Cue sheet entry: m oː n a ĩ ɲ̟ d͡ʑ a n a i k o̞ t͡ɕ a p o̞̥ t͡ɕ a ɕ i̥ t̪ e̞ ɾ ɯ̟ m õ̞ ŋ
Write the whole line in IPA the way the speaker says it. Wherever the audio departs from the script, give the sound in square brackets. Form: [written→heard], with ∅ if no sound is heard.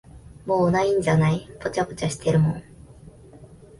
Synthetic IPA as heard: m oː n a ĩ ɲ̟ d͡ʑ a n a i [k→p] o̞ t͡ɕ a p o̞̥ t͡ɕ a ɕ i̥ t̪ e̞ ɾ ɯ̟ m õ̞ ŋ